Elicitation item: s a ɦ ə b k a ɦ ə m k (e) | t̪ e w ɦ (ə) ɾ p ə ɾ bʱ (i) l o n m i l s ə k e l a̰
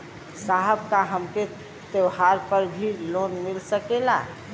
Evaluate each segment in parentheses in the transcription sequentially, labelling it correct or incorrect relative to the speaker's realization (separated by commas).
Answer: correct, incorrect, correct